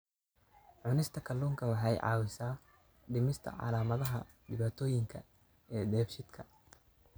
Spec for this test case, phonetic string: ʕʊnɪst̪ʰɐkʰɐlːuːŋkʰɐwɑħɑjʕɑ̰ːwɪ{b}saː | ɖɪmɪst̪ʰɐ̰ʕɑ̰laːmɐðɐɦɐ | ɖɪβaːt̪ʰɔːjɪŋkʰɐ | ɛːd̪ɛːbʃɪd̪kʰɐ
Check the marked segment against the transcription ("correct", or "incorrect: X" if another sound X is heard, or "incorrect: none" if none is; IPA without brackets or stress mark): incorrect: none